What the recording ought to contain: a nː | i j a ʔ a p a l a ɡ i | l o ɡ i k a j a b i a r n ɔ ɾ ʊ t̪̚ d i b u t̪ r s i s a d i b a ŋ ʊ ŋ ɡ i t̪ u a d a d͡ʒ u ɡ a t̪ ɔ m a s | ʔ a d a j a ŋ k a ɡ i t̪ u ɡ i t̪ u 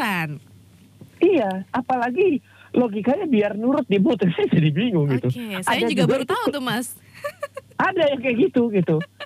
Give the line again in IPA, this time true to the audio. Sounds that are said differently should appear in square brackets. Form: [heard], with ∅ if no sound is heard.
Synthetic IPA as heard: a [n] | i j a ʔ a p a l a ɡ i | l o ɡ i k a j a b i a r n [u] ɾ ʊ t̪̚ d i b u t̪ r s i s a d i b [i] ŋ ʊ ŋ ɡ i t̪ u a d a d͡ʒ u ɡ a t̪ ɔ m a s | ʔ a d a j a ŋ k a ɡ i t̪ u ɡ i t̪ u